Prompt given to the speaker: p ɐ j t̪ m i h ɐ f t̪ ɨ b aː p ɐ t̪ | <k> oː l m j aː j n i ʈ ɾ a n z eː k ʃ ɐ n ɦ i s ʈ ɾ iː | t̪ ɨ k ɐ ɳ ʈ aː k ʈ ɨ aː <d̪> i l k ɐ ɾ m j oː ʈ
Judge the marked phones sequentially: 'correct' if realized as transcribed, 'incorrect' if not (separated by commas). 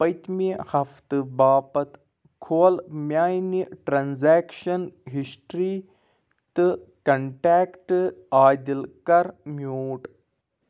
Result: incorrect, correct